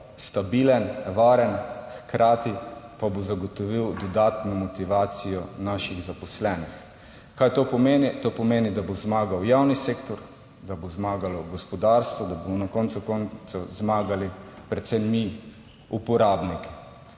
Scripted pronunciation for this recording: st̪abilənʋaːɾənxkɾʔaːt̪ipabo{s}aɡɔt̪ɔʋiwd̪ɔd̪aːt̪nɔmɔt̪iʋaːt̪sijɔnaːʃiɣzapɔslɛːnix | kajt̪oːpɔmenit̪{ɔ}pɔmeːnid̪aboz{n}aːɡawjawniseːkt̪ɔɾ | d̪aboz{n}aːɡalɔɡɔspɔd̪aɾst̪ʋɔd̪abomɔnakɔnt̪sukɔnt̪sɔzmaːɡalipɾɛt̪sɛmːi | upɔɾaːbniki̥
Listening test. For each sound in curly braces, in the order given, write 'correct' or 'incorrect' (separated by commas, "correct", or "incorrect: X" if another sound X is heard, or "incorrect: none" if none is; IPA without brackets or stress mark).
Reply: incorrect: z, incorrect: o, incorrect: m, incorrect: m